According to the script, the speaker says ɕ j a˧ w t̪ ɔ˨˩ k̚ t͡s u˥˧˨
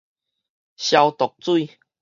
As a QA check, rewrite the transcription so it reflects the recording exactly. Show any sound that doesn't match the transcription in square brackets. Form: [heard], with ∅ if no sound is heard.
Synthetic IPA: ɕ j a˧ w t̪ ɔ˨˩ k̚ t͡s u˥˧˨